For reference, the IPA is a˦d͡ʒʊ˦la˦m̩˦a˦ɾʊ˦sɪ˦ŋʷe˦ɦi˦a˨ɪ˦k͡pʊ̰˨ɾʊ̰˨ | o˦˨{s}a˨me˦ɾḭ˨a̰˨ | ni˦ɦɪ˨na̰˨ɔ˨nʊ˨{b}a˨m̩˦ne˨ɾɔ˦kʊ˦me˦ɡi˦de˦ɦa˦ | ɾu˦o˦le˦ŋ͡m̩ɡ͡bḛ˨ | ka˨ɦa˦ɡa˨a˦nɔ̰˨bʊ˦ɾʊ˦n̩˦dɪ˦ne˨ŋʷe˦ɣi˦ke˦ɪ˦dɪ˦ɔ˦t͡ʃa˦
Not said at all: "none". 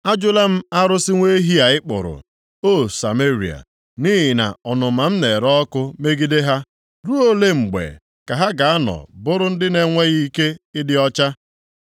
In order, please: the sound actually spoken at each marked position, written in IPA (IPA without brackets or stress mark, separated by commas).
s, m